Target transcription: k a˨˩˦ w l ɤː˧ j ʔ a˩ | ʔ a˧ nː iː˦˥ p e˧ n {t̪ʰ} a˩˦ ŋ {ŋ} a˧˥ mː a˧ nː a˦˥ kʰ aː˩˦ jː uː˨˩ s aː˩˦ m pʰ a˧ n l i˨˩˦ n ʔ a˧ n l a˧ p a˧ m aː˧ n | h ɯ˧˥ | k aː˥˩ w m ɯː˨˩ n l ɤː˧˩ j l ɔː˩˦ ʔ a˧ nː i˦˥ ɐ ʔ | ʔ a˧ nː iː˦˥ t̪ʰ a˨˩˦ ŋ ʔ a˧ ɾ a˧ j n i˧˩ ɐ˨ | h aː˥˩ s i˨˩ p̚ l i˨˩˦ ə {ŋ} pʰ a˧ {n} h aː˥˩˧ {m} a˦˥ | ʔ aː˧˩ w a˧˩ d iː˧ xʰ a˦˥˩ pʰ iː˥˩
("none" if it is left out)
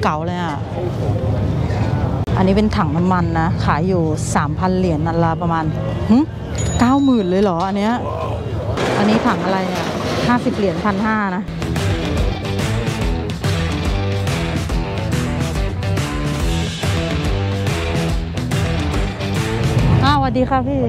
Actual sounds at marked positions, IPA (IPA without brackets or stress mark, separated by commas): t̪ʰ, n, n, n, n